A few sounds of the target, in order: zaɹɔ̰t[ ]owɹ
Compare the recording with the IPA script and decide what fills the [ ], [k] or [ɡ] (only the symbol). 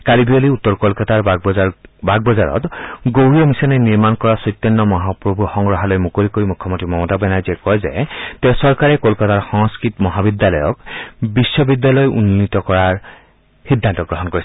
ɡ